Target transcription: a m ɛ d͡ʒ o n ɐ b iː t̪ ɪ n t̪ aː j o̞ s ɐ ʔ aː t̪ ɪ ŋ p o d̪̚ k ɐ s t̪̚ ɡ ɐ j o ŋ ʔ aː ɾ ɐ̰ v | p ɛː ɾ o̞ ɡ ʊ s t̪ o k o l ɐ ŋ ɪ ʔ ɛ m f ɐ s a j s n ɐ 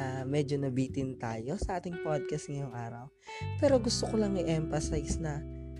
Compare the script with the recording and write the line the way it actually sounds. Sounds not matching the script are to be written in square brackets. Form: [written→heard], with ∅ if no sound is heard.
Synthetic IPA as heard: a m ɛ d͡ʒ o n ɐ b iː t̪ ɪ n t̪ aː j o̞ s ɐ ʔ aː t̪ ɪ ŋ p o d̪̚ k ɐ s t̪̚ [ɡ→ŋ] ɐ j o ŋ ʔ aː ɾ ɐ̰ [v→w] | p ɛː ɾ o̞ ɡ ʊ s t̪ o k o l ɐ ŋ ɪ ʔ ɛ m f ɐ s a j s n ɐ